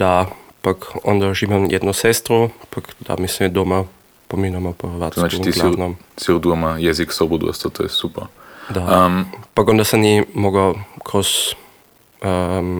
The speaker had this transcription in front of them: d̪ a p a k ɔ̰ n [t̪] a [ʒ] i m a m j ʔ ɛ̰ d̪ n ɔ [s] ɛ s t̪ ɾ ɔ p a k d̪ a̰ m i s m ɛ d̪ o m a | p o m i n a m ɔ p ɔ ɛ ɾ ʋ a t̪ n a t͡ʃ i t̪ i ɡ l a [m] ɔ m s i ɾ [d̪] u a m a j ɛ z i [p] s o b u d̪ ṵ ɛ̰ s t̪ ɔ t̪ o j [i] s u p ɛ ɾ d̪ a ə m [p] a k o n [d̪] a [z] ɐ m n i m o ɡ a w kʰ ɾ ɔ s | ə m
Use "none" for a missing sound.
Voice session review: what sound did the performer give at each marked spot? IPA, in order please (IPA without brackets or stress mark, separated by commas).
d̪, ʒ, s, n, d̪, k, ɛ, p, d̪, s